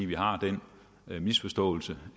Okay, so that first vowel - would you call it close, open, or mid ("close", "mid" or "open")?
close